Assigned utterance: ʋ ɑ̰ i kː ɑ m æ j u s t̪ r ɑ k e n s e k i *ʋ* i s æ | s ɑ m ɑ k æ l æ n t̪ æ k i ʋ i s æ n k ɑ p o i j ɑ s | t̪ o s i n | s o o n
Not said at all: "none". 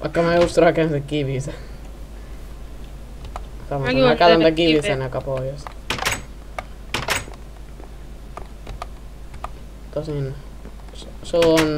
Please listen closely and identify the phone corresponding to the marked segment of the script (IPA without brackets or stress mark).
ʋ